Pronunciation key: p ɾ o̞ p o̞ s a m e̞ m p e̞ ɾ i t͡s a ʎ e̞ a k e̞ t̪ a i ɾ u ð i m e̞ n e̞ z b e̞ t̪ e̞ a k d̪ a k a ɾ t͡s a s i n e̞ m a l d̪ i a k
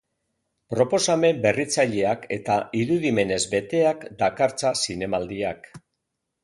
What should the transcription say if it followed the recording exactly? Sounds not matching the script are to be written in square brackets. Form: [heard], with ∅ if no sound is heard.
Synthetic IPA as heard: p ɾ o̞ p o̞ s a m e̞ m [b] e̞ [r] i t͡s a ʎ e̞ a k e̞ t̪ a i ɾ u ð i m e̞ n e̞ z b e̞ t̪ e̞ a k d̪ a k a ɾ t͡s a s i n e̞ m a l d̪ i a k